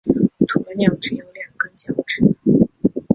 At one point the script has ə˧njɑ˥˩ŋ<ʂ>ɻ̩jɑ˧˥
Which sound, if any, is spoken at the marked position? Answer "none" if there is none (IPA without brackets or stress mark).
ʈ͡ʂ